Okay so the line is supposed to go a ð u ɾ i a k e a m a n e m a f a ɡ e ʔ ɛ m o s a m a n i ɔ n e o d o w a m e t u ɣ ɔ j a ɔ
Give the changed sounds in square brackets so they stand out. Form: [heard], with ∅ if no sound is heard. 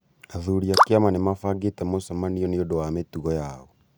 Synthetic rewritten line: a ð u ɾ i a k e a m a n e m a f a ɡ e [t] ɛ m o s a m a n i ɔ n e o d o w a m e t u ɣ ɔ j a ɔ

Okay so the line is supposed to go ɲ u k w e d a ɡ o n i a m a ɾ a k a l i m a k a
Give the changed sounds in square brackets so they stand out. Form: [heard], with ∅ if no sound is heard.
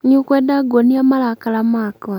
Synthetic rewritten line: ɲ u k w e d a ɡ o n i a m a [l] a k a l [a] m a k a

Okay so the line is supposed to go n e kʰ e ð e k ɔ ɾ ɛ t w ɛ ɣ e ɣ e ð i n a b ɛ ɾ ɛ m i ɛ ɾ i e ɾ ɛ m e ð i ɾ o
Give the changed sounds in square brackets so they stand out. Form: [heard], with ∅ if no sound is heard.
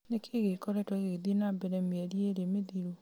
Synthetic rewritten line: n e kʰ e [ɣ] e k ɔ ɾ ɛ t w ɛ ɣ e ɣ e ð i n a b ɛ ɾ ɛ m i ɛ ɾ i e ɾ [e] m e ð i ɾ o

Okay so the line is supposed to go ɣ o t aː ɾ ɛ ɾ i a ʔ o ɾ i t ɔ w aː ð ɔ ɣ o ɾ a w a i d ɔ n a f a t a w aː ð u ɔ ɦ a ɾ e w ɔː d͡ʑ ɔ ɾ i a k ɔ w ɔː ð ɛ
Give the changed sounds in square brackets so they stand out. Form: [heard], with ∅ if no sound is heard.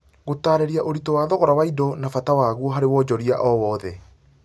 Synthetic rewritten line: ɣ o t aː ɾ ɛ ɾ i a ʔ o ɾ i t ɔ w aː ð ɔ ɣ [ɔ] ɾ a w a i d ɔ n a f a t a w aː [ɣ] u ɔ ɦ a ɾ e w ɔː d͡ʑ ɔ ɾ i a [ʔ] ɔ w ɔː ð ɛ

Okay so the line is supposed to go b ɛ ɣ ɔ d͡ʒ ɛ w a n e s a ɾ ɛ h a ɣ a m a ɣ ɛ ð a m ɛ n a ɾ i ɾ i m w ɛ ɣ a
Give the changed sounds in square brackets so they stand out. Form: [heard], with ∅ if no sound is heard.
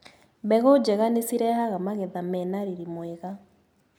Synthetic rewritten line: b ɛ ɣ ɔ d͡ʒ ɛ [ɣ] a n e s [i] ɾ ɛ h a ɣ a m a ɣ ɛ ð a m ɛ n a ɾ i ɾ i m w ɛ ɣ a

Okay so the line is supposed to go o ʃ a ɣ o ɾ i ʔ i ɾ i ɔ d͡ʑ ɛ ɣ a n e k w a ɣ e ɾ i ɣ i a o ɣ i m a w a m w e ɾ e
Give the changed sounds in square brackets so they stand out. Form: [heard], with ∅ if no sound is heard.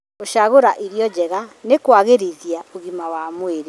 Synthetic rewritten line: o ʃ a ɣ o ɾ [a] ʔ i ɾ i ɔ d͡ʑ ɛ ɣ a n e k w a ɣ e ɾ i [ð] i a o ɣ i m a w a m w e ɾ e

